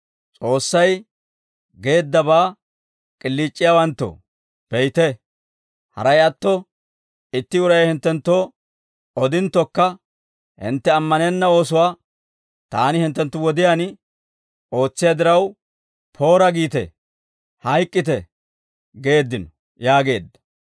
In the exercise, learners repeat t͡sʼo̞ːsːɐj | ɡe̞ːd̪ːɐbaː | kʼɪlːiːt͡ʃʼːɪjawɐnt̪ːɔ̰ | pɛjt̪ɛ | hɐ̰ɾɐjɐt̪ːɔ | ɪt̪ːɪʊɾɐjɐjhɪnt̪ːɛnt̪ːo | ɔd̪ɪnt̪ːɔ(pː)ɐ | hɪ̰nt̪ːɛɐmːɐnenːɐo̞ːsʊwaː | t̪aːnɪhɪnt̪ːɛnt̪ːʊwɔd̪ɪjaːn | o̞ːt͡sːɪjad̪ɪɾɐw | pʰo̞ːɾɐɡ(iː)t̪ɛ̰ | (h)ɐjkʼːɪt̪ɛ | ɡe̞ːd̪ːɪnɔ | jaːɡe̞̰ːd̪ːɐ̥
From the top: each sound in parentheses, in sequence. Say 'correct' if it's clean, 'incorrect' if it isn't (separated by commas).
incorrect, correct, correct